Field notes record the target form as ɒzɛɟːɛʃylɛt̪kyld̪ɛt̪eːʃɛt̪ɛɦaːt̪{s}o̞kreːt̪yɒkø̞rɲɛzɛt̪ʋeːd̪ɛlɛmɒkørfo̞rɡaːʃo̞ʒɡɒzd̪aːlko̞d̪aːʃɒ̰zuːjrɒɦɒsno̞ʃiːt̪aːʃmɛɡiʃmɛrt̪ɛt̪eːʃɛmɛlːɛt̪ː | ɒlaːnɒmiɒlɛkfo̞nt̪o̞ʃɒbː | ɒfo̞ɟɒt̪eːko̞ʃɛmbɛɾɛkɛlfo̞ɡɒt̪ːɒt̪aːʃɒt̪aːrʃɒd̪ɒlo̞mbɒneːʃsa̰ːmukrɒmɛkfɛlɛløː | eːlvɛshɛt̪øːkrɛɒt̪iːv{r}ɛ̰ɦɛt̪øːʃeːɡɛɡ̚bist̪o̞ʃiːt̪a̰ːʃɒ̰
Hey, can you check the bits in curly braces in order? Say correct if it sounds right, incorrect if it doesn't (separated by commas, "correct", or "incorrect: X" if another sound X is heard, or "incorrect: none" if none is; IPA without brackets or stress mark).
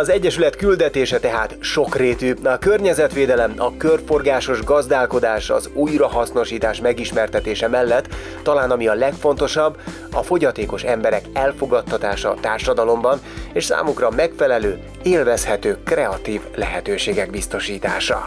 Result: incorrect: ʃ, incorrect: l